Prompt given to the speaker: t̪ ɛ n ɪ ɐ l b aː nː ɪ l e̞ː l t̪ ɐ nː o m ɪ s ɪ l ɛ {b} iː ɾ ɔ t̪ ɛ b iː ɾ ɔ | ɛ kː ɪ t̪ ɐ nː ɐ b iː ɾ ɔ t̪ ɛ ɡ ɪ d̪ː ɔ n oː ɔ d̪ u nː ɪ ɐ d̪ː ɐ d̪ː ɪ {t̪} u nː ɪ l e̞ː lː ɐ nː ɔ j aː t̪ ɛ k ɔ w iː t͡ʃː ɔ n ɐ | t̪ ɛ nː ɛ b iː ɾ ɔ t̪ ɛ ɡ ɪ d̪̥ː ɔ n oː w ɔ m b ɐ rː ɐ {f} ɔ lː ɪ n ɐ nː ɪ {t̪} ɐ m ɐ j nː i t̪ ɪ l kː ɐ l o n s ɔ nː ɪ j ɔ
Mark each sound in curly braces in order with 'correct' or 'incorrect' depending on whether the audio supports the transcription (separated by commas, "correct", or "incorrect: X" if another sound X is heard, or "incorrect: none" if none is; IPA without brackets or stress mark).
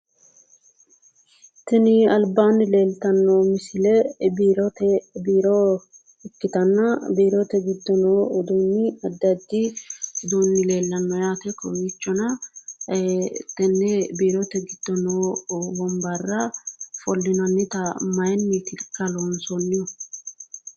correct, incorrect: d̪, correct, correct